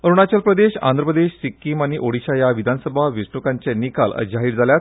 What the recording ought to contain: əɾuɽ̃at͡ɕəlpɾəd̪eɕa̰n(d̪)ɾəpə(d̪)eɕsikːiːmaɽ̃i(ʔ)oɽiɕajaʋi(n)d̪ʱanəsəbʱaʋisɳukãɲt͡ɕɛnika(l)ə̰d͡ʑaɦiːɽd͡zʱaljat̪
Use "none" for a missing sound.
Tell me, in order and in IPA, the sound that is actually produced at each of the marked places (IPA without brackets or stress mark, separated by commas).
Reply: d̪, d̪, ʔ, none, l